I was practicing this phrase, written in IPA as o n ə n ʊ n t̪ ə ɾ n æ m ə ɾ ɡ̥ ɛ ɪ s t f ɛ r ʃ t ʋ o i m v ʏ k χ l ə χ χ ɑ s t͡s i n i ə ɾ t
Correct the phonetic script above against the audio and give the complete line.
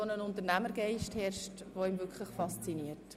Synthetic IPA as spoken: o n ə n ʊ n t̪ ə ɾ n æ m ə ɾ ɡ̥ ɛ ɪ ʃ t h ɛ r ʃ t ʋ o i m v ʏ k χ l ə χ f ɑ s t͡s i n i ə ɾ t